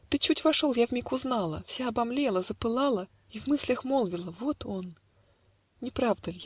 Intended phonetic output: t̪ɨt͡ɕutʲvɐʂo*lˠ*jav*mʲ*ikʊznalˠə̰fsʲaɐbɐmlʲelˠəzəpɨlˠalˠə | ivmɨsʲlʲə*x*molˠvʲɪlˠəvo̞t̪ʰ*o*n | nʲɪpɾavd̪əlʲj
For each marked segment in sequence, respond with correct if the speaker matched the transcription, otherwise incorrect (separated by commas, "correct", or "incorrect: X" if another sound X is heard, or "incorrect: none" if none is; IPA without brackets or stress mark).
correct, correct, correct, correct